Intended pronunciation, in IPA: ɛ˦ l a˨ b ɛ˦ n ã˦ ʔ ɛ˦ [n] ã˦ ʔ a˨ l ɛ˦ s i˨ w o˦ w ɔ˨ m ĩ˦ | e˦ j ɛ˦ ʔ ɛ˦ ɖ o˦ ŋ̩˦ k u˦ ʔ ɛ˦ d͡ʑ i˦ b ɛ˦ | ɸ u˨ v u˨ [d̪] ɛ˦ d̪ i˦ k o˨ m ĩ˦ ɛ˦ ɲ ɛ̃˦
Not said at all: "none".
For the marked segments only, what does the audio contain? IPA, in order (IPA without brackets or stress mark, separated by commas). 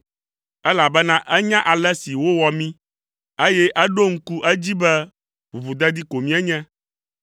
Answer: ɲ, d̪